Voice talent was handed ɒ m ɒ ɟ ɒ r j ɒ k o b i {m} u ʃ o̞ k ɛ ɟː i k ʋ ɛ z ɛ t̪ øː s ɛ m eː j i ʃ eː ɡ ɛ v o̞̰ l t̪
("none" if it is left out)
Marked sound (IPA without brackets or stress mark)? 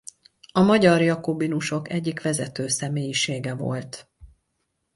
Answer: n